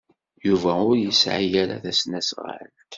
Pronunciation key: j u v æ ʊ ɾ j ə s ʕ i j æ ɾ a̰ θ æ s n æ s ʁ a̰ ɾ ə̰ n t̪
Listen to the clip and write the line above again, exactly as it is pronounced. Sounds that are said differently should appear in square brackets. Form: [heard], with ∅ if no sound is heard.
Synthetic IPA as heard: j u v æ ʊ ɾ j ə s ʕ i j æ ɾ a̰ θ æ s n æ s ʁ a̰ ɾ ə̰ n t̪